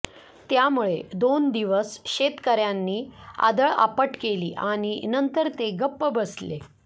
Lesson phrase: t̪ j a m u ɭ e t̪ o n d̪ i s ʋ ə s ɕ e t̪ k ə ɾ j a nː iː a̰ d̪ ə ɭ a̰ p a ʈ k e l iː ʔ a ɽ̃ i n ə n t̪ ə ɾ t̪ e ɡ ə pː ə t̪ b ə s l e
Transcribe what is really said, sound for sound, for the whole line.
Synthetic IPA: t̪ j a m u ɭ e d̪ o n d̪ i ʋ ə s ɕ e t̪ k ə ɾ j a nː iː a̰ d̪ ə ɭ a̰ p ə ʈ k e l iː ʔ a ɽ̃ i n ə n t̪ ə ɾ t̪ e ɡ ə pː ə b ə s l e